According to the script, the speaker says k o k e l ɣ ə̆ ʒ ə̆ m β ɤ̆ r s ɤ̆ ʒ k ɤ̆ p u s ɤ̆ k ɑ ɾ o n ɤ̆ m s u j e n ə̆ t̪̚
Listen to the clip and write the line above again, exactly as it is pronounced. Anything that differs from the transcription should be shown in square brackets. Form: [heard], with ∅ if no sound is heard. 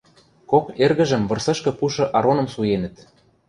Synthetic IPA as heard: k o k e [r] ɣ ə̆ ʒ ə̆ m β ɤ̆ r s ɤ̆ [ʃ] k ɤ̆ p u [ʃ] ɤ̆ [ʔ] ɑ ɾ o n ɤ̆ m s u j e n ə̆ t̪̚